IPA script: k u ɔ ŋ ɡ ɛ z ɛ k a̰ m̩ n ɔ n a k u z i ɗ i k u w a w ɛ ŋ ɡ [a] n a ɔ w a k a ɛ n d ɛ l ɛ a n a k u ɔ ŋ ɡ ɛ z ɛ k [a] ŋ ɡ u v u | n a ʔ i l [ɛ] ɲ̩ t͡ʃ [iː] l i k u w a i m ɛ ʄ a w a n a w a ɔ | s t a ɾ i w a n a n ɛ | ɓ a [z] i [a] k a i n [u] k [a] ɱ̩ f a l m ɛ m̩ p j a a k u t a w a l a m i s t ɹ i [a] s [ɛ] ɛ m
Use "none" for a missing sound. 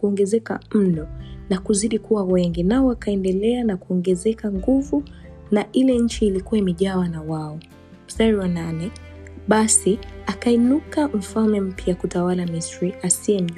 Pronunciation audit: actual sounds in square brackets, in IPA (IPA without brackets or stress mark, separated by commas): i, a, ɛ, iː, s, a, u, a, a, i